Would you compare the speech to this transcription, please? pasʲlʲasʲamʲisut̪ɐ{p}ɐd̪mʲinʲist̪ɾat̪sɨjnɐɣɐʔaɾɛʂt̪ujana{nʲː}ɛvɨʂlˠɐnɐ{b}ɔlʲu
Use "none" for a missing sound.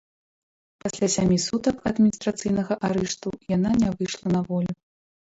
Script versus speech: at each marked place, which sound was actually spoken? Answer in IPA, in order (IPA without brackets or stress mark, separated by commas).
k, nʲ, v